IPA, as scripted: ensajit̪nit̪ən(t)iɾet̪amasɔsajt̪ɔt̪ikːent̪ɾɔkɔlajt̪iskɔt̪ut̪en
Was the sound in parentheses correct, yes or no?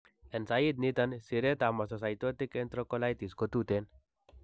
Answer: no